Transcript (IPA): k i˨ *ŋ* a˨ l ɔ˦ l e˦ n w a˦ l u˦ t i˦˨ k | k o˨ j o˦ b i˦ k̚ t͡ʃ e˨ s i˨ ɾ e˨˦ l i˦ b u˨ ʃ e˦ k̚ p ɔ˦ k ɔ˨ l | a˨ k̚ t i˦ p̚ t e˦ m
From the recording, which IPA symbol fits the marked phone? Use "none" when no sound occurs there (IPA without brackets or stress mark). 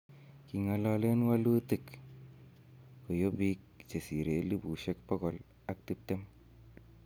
ŋ